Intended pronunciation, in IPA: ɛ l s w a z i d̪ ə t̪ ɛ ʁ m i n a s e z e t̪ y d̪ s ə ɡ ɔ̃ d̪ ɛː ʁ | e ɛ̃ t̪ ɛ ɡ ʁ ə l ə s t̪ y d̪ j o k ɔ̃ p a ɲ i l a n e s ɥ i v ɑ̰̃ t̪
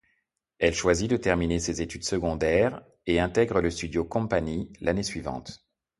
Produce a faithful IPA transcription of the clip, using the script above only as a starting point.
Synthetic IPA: ɛ l ʃ w a z i d̪ ə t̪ ɛ ʁ m i n e s e z e t̪ y d̪ s ə ɡ ɔ̃ d̪ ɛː ʁ | e ɛ̃ t̪ ɛ ɡ ʁ ə l ə s t̪ y d̪ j o k ɔ̃ p a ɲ i l a n e s ɥ i v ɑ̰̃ t̪